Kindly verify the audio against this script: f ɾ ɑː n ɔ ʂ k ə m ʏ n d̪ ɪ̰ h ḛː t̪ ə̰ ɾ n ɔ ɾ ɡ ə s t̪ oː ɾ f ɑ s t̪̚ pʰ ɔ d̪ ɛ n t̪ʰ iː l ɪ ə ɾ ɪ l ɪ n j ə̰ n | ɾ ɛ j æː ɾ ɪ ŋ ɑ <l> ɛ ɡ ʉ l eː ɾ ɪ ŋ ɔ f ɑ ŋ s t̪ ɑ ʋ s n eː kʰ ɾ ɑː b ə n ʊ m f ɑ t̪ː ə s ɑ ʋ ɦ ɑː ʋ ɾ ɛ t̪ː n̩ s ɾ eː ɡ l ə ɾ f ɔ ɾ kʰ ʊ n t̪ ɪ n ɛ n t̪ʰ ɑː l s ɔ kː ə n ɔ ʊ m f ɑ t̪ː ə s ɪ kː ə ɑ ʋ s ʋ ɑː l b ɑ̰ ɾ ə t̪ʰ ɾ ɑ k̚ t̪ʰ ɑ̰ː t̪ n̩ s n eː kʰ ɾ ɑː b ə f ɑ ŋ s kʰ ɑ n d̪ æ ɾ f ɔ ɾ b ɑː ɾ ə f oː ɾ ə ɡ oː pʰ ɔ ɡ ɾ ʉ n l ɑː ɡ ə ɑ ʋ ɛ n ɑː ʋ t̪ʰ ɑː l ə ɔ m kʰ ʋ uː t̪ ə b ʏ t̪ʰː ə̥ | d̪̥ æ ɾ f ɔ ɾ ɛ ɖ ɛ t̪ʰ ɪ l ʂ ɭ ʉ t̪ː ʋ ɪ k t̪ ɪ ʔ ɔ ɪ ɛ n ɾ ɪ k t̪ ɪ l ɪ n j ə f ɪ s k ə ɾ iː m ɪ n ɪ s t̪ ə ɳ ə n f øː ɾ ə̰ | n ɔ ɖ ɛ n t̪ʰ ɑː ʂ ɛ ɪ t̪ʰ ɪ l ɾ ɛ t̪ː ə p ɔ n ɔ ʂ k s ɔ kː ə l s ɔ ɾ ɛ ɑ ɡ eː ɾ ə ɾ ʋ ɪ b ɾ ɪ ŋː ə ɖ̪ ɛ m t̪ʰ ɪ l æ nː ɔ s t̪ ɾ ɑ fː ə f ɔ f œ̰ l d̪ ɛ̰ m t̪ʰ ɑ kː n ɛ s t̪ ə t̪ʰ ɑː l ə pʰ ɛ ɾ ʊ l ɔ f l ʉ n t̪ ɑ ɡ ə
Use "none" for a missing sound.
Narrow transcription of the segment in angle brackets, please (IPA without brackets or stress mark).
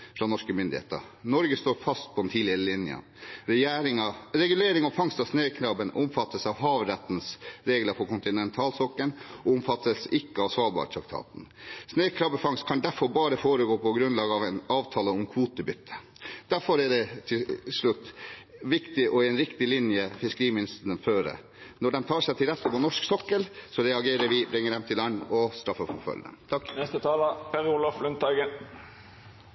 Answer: ɾ